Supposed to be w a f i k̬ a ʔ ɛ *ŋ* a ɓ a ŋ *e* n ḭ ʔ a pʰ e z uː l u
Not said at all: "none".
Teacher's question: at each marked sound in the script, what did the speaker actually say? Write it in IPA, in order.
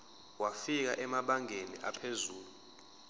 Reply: m, e

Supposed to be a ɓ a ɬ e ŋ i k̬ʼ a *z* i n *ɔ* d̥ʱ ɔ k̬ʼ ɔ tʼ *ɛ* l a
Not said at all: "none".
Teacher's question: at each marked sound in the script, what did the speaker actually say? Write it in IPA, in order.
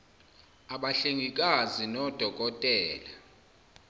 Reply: z, ɔ, ɛː

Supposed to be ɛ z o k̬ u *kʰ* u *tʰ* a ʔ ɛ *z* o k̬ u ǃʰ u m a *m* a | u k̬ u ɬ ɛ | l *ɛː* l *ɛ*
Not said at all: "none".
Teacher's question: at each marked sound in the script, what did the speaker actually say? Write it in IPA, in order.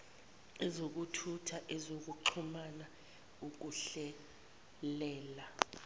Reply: tʰ, tʰ, z, n, ɛː, a

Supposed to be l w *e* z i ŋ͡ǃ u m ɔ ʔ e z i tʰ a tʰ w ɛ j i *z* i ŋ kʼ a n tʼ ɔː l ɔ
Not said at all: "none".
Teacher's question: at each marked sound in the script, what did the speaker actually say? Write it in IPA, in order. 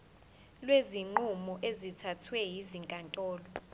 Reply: e, z

